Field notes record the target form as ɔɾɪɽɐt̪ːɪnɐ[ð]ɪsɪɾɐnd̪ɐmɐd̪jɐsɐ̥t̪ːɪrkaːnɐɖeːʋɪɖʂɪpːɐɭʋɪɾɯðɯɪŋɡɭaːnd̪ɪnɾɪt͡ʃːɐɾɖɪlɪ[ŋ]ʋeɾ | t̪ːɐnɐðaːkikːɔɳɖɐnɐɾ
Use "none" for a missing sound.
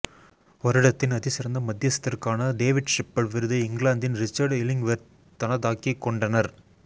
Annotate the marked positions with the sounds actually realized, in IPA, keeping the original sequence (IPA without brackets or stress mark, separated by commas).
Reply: ð, ŋ